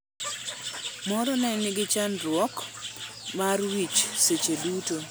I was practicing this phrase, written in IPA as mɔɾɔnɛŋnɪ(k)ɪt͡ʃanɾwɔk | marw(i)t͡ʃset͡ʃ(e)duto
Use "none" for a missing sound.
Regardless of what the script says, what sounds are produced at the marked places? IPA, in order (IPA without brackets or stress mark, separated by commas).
ɡ, i, e